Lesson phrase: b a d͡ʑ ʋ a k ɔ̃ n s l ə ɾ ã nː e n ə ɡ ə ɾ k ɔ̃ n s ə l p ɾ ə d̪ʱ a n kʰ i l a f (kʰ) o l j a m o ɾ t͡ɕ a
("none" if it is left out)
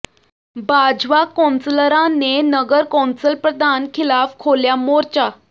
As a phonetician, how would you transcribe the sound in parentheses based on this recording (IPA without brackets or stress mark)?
kʰ